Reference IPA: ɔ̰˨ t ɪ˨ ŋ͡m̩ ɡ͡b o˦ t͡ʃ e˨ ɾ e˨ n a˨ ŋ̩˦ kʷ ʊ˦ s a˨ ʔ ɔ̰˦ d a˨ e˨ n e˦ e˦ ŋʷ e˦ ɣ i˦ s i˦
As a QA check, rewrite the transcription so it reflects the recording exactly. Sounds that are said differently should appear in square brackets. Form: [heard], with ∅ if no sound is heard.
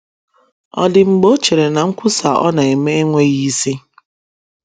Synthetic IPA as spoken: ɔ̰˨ [d] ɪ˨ ŋ͡m̩ ɡ͡b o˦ t͡ʃ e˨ ɾ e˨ n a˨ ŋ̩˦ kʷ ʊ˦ s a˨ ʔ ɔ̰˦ [n] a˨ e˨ [m] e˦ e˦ ŋʷ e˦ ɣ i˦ s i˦